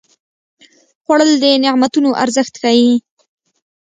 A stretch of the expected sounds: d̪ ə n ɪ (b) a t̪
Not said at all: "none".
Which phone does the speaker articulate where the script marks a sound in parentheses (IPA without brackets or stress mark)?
m